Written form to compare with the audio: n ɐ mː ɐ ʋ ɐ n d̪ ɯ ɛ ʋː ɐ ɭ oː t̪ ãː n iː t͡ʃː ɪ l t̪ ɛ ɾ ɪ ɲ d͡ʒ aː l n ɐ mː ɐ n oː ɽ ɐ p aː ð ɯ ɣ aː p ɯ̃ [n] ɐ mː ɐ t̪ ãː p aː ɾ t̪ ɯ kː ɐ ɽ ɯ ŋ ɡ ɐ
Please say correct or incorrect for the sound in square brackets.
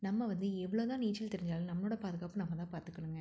correct